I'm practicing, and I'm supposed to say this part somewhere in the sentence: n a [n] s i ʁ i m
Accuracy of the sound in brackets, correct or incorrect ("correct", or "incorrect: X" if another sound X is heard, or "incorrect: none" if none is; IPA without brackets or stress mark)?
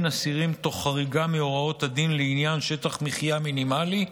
incorrect: none